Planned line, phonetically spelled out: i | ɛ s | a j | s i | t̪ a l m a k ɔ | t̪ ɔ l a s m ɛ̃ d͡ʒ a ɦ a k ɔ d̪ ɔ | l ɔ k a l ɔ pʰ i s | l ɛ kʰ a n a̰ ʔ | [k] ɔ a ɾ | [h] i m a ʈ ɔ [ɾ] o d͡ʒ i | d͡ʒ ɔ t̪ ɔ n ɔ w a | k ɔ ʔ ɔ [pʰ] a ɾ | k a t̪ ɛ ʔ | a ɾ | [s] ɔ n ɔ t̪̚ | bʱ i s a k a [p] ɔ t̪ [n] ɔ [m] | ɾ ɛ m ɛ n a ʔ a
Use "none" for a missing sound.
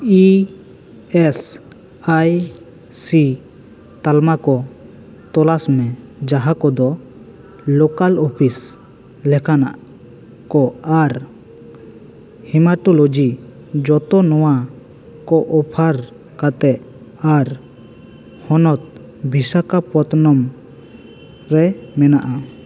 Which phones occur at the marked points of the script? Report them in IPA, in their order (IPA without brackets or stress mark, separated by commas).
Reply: k, h, l, pʰ, h, p, n, m